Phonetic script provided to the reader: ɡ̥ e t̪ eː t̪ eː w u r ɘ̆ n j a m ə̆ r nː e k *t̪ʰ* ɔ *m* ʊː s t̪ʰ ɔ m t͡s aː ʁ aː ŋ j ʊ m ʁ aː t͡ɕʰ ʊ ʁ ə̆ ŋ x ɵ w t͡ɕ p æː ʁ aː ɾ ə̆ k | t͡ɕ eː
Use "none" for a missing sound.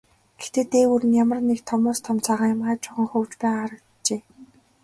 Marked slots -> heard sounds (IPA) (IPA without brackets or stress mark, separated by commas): t̪ʰ, m